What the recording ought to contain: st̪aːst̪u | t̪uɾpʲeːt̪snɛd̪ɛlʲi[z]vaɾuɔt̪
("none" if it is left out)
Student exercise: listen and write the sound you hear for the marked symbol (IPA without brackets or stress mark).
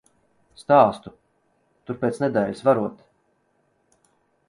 s